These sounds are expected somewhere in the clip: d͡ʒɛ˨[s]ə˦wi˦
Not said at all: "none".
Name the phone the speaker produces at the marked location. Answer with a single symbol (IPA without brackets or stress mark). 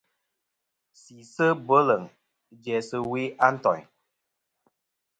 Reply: s